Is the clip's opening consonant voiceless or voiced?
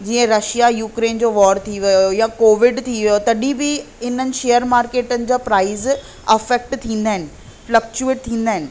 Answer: voiced